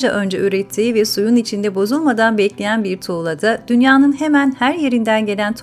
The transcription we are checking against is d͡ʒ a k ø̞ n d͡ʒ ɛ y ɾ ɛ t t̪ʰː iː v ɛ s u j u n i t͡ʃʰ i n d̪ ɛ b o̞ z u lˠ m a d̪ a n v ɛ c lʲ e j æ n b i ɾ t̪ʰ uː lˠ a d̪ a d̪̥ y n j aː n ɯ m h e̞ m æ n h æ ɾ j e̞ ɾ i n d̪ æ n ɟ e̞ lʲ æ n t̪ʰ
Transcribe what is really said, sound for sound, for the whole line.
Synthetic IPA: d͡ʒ a ʔ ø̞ n d͡ʒ ɛ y ɾ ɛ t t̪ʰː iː v ɛ s u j u n i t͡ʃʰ i n d̪ ɛ b o̞ z u lˠ m a d̪ a n b ɛ c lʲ e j æ n b i ɾ t̪ʰ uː lˠ a d̪ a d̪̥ y n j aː n ɯ n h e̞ m æ n h æ ɾ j e̞ ɾ i n d̪ æ n ɟ e̞ lʲ æ n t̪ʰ